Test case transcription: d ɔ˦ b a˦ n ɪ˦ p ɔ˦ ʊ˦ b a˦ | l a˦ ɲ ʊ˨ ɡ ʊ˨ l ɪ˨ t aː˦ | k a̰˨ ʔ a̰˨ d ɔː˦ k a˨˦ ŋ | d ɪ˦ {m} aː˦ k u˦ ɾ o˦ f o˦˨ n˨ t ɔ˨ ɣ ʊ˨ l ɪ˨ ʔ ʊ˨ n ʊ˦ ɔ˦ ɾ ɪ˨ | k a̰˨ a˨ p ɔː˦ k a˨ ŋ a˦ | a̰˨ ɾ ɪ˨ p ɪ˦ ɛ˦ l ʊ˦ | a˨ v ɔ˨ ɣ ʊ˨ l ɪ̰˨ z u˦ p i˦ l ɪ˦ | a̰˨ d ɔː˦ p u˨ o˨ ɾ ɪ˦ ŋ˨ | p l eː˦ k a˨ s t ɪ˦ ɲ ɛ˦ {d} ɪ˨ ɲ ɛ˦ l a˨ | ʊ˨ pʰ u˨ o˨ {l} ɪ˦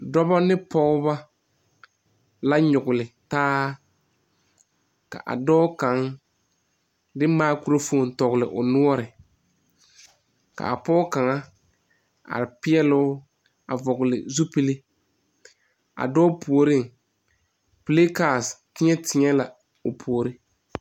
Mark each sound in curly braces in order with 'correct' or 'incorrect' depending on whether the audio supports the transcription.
correct, incorrect, incorrect

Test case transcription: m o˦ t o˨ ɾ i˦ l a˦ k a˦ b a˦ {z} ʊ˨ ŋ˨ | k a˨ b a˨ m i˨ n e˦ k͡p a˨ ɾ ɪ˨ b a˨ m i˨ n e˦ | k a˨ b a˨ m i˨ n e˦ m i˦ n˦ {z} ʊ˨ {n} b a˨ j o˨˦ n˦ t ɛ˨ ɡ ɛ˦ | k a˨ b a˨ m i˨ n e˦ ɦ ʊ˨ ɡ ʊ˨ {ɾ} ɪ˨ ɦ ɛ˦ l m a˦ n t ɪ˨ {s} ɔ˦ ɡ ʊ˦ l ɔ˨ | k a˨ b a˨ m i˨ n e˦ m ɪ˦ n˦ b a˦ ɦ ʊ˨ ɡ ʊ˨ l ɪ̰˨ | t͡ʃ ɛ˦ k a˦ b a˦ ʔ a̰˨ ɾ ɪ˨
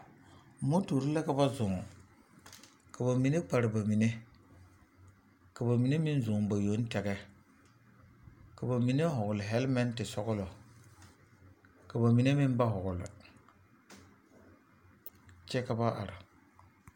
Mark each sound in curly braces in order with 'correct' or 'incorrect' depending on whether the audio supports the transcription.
correct, correct, incorrect, incorrect, correct

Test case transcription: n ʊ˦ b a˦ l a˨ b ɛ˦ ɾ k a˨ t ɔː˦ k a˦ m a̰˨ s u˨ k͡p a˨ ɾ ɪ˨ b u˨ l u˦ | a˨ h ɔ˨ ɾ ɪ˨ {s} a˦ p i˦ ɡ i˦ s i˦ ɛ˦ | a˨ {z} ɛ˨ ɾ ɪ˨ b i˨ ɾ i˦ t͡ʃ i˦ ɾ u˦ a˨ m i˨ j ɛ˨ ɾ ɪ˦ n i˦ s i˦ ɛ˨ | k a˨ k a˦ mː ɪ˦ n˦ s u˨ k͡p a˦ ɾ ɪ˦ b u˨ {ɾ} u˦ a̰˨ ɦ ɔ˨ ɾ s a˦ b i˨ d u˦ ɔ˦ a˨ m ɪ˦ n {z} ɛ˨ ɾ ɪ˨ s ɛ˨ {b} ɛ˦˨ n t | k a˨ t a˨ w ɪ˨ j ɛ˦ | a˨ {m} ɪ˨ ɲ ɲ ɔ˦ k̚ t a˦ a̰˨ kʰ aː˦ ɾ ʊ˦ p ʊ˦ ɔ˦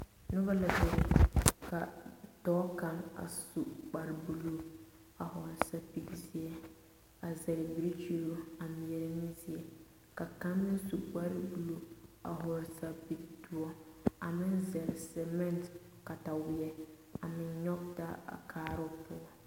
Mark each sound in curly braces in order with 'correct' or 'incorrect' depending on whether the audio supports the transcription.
correct, correct, incorrect, correct, incorrect, correct

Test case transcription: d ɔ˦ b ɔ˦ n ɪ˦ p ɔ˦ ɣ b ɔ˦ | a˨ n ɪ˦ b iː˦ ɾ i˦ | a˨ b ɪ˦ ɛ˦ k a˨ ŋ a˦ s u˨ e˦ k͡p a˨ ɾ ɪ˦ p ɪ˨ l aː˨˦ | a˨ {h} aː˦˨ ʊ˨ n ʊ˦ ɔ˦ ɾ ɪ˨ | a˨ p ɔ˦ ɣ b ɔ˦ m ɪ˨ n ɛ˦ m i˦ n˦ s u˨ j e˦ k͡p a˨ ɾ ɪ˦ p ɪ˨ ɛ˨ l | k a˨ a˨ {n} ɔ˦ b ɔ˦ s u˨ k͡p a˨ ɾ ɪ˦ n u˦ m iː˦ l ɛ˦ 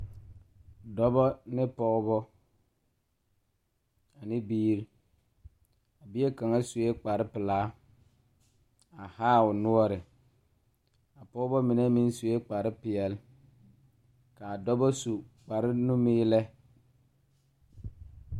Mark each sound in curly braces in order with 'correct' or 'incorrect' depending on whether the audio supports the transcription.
correct, incorrect

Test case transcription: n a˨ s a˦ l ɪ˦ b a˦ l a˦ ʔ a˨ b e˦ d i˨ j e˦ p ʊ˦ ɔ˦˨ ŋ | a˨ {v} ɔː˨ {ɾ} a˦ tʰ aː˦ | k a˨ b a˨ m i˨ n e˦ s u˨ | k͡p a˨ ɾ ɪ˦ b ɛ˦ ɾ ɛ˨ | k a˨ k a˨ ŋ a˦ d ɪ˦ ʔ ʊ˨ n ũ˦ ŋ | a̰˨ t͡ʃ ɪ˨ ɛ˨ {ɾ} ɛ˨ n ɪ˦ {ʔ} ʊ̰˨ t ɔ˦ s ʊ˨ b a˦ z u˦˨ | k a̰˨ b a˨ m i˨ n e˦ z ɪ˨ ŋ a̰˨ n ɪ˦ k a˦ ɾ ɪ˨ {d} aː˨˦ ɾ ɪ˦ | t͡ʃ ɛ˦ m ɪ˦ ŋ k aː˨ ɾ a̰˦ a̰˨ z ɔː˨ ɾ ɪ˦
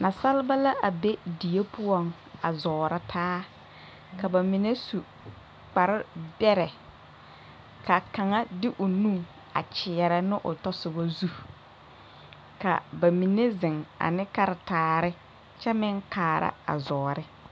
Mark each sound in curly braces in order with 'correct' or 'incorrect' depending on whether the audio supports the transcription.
incorrect, correct, correct, correct, incorrect

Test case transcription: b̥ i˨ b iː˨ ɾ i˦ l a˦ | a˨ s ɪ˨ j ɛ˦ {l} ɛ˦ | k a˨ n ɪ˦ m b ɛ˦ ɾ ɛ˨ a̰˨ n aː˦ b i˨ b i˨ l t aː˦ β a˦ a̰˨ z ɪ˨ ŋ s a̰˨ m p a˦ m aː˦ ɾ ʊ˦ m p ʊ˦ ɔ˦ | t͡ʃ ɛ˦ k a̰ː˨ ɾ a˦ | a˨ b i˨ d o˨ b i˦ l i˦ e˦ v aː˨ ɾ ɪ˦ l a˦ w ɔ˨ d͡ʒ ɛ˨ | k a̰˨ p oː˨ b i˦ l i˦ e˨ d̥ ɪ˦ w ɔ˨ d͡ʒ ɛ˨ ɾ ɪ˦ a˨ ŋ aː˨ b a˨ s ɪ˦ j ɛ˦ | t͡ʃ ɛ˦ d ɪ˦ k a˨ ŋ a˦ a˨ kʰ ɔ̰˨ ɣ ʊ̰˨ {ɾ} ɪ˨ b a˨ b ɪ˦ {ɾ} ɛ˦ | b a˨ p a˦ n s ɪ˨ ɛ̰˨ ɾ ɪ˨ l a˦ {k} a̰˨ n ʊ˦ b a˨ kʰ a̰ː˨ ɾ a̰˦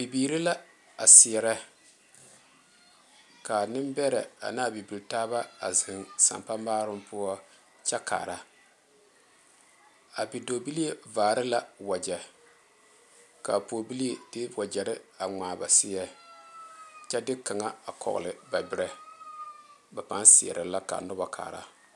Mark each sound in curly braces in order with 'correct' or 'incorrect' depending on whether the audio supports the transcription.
incorrect, incorrect, correct, correct

